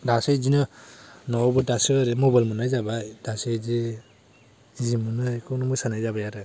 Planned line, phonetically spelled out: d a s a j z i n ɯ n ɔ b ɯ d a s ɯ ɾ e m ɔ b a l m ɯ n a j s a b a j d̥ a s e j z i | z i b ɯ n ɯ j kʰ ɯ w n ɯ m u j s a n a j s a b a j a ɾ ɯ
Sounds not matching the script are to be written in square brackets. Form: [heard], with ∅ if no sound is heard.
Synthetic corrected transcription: d a s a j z i n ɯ n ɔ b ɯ d a s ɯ ɾ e m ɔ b a l m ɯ n a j [z] a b a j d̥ a s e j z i | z i [m] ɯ n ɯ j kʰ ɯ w n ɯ m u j s a n a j [z] a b a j a ɾ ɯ